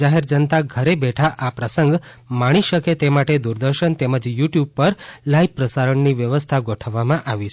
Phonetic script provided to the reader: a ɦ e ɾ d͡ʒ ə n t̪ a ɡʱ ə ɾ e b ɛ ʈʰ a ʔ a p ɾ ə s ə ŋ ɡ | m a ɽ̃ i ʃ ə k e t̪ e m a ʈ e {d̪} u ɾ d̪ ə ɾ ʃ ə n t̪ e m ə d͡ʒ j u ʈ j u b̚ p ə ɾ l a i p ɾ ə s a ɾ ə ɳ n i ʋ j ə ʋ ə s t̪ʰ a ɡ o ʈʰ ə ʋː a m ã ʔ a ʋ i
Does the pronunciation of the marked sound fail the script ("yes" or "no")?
no